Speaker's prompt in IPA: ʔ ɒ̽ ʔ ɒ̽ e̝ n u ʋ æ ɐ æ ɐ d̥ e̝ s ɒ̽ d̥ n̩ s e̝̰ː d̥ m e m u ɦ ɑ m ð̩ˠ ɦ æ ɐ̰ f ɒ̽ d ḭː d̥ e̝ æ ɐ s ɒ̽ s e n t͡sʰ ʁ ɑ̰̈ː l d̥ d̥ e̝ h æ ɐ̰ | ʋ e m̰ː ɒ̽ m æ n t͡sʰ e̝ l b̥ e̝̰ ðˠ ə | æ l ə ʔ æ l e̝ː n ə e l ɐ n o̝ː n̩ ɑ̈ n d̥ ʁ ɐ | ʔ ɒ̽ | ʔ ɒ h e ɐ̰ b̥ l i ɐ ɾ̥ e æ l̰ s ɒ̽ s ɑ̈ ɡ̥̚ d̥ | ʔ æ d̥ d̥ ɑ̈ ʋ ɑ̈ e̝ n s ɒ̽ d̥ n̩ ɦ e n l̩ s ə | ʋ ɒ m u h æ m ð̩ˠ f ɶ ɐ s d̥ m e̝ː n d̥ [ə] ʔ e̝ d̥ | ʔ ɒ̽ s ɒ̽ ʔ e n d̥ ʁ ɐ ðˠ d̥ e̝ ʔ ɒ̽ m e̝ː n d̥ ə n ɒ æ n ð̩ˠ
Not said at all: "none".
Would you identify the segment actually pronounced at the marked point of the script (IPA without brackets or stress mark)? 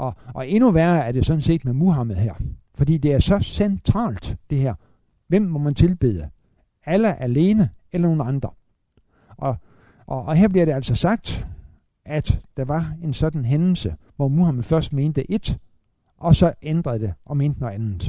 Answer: ə